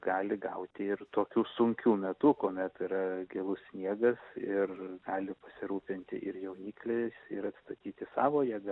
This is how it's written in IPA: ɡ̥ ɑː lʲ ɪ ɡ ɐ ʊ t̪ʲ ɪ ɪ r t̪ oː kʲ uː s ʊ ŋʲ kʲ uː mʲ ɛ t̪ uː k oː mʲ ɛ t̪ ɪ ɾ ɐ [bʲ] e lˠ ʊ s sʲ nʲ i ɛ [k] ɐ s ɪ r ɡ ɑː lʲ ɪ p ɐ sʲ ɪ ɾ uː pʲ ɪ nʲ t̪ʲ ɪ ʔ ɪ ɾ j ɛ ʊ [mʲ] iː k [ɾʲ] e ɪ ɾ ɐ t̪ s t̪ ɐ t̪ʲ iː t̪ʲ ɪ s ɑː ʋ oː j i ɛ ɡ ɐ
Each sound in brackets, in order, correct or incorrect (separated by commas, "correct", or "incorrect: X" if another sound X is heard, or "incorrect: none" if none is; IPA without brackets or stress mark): incorrect: ɡʲ, incorrect: ɡ, incorrect: nʲ, incorrect: lʲ